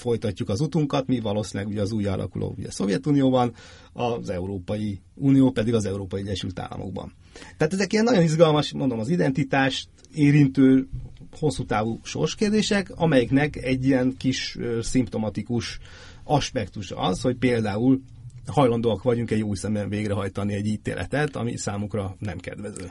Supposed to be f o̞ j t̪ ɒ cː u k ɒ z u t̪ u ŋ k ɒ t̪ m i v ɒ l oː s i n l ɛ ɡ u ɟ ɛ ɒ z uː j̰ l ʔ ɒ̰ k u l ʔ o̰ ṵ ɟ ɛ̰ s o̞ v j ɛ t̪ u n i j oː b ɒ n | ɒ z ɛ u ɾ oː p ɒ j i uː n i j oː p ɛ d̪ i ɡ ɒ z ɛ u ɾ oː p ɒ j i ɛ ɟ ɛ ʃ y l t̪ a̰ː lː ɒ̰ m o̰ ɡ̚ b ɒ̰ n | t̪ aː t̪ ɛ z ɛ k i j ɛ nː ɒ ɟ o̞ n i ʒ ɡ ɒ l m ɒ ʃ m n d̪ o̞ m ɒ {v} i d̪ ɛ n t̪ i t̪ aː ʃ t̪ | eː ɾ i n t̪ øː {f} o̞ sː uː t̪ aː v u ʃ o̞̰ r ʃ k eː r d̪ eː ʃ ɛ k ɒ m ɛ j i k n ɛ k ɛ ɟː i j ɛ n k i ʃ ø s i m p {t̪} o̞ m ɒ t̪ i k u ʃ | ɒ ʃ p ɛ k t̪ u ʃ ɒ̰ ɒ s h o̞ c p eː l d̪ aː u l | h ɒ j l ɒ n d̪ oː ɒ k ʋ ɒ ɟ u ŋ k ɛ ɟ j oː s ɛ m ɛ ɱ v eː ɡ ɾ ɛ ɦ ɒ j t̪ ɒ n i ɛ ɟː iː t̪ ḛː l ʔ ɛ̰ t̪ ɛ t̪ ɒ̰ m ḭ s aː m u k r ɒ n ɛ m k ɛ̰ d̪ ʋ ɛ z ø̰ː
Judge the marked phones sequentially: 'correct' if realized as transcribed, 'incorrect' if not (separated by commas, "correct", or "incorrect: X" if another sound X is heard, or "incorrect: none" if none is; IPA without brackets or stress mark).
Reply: incorrect: z, incorrect: h, correct